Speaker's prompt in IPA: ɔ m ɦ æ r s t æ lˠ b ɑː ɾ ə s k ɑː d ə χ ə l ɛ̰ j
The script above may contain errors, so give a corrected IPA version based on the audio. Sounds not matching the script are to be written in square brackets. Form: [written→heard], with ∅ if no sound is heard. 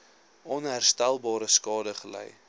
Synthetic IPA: ɔ [m→n] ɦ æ r s t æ lˠ b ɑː ɾ ə s k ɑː d ə χ ə l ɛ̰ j